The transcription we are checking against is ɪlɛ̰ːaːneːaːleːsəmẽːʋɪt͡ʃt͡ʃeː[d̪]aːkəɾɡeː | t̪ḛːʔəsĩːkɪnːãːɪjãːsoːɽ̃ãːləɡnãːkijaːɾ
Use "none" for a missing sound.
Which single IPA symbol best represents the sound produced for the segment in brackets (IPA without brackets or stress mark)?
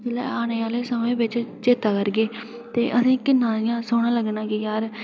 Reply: t̪